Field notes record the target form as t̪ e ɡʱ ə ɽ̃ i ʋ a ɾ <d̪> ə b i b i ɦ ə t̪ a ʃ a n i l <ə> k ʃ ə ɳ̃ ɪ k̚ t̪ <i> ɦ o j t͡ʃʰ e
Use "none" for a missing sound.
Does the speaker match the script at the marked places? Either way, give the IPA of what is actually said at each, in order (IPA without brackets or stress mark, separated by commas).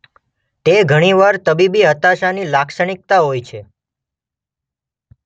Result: t̪, a, a